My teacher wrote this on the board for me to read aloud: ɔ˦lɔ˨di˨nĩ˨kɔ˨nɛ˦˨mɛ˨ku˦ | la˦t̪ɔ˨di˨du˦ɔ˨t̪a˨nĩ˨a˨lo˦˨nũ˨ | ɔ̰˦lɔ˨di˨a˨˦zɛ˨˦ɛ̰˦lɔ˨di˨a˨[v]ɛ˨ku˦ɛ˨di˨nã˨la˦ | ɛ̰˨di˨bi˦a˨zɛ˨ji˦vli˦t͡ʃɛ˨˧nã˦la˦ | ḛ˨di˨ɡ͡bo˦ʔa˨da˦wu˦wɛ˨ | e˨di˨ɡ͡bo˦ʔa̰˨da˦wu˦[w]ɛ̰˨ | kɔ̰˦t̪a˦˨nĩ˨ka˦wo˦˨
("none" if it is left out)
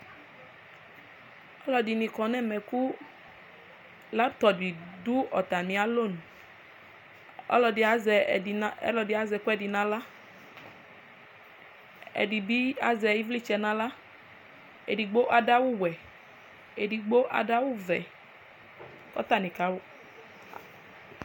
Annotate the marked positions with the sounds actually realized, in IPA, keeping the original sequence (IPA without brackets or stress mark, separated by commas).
z, v